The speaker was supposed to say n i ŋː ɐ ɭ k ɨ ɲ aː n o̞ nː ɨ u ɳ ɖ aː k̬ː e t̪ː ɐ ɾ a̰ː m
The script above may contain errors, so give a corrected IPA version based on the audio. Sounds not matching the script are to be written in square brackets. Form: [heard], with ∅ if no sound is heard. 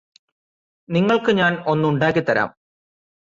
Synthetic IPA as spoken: n i ŋː ɐ ɭ k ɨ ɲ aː n o̞ nː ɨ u ɳ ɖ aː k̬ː [i] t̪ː ɐ ɾ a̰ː m